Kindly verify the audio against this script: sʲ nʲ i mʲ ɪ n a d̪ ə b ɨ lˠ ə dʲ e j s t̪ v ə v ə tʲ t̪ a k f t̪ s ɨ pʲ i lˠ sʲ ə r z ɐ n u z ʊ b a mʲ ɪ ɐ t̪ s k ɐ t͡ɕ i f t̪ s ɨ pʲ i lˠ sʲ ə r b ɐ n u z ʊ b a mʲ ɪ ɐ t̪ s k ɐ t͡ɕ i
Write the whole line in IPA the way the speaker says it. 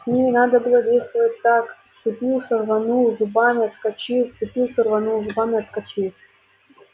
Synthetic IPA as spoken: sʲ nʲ i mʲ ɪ n a d̪ ə b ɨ lˠ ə dʲ e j s t̪ v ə v ə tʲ t̪ a k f t̪ s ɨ pʲ i lˠ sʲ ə r v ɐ n u z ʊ b a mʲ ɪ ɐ t̪ s k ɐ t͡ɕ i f t̪ s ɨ pʲ i lˠ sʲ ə r v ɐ n u z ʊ b a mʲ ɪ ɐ t̪ s k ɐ t͡ɕ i